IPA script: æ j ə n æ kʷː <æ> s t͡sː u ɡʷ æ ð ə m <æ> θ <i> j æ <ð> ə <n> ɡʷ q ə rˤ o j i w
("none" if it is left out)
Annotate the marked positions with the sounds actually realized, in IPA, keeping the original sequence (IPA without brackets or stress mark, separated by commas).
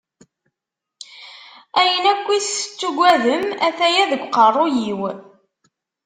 i, æ, æ, ð, none